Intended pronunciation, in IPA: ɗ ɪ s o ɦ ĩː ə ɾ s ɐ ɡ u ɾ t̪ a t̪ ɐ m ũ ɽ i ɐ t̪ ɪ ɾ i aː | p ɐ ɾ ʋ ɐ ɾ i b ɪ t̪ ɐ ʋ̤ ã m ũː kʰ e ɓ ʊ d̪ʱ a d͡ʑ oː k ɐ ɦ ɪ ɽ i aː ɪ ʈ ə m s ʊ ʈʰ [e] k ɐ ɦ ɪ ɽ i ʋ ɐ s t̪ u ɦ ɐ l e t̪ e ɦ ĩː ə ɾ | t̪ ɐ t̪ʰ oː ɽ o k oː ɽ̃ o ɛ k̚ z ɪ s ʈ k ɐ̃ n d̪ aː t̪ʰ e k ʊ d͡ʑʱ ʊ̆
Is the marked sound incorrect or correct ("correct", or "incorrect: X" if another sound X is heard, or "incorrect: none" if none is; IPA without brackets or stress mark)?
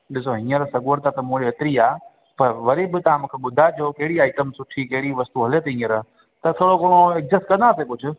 incorrect: i